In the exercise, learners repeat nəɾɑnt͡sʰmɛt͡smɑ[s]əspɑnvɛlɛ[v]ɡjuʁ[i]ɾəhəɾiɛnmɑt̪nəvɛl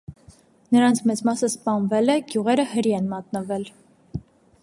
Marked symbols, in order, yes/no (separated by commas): yes, no, no